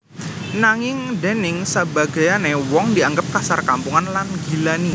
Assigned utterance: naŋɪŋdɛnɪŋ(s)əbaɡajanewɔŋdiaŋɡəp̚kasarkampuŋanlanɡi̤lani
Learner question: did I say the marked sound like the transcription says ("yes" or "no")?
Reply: yes